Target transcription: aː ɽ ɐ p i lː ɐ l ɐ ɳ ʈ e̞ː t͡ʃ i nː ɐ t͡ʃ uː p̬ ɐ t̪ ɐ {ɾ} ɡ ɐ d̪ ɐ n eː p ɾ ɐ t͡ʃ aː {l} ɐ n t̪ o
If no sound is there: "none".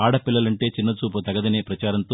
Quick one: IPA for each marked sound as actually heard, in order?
none, ɾ

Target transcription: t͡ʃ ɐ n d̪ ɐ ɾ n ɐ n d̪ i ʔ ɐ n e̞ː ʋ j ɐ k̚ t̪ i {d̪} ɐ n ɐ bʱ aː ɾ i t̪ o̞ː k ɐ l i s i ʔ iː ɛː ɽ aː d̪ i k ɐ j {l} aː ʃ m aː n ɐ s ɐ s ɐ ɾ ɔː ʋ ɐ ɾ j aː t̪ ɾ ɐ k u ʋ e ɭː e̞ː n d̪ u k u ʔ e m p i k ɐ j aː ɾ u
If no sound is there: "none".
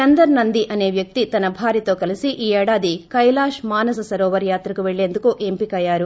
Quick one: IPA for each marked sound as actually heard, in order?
t̪, l

